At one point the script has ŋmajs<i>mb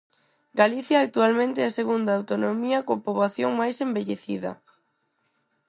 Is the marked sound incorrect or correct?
incorrect